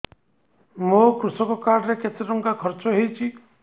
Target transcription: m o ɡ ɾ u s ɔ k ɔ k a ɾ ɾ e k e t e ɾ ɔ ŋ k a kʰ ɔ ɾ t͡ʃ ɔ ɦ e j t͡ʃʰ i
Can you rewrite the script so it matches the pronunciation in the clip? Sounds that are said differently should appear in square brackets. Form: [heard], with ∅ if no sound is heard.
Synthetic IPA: m o [k] ɾ u s ɔ k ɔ k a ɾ ɾ e k e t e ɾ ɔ ŋ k a kʰ ɔ ɾ t͡ʃ ɔ ɦ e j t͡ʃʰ i